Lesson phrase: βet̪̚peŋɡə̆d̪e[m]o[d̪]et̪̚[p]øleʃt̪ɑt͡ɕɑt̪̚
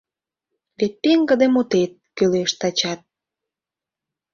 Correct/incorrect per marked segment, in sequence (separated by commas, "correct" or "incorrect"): correct, incorrect, incorrect